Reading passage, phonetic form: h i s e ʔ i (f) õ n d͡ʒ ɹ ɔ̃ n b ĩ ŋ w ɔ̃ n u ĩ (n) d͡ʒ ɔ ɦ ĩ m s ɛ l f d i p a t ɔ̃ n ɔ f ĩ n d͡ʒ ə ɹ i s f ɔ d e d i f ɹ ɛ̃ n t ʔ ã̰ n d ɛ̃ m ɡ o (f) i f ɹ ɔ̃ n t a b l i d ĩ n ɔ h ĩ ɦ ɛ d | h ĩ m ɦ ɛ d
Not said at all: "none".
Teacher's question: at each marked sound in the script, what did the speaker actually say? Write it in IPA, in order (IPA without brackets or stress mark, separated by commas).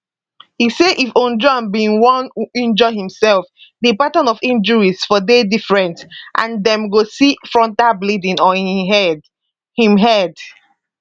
f, n, s